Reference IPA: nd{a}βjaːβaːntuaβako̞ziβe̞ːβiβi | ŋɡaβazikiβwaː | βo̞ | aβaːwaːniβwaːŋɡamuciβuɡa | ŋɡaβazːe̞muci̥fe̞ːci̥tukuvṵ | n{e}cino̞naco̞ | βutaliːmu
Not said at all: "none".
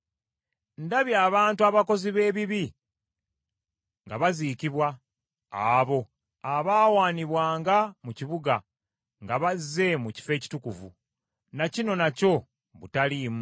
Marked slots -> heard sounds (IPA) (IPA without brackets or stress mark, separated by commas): a, a